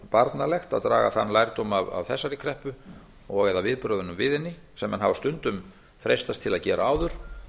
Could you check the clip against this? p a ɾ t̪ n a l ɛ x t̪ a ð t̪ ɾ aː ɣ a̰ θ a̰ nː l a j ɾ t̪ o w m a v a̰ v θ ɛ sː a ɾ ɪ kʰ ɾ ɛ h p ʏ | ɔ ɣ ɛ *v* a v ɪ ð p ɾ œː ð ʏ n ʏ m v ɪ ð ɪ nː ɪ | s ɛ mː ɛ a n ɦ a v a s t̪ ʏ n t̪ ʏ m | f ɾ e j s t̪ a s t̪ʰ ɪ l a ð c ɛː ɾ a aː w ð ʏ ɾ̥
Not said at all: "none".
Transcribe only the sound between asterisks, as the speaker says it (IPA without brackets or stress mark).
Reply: ð